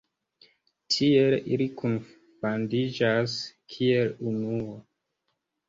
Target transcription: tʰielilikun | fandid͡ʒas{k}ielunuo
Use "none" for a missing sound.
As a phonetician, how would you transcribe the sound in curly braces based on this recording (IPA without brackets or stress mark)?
kʰ